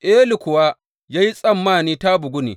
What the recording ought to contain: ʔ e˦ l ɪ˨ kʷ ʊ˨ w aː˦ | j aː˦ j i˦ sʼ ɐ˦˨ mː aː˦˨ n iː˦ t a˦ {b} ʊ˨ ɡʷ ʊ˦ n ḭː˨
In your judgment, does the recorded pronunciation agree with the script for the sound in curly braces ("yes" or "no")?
yes